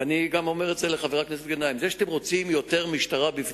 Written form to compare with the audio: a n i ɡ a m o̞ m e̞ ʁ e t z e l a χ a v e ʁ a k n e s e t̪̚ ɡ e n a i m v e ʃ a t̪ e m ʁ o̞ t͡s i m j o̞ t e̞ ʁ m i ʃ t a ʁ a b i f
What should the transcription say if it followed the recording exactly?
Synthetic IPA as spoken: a n i ɡ a m o̞ m e̞ ʁ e t z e l e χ a v e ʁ a k n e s e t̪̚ ɡ e n a i m z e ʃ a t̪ e m ʁ o̞ t͡s i m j o̞ t e̞ ʁ m i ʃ t a ʁ a b i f